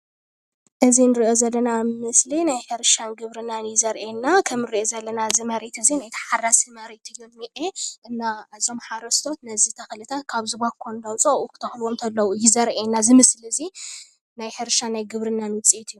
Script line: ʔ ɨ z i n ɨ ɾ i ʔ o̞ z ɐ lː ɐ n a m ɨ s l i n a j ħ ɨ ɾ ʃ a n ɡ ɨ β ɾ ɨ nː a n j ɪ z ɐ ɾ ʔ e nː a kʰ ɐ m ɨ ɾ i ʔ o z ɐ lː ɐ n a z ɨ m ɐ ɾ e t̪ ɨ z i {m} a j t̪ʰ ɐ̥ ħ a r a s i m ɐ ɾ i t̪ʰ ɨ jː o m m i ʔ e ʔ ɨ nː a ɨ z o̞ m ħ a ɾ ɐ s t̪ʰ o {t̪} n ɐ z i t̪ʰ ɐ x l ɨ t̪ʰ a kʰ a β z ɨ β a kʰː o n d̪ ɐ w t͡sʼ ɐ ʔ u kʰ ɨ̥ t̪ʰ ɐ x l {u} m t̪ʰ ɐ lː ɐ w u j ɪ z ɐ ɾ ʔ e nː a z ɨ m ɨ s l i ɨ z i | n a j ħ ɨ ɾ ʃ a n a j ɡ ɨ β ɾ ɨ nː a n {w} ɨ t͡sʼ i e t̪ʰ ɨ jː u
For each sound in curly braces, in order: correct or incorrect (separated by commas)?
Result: incorrect, correct, incorrect, correct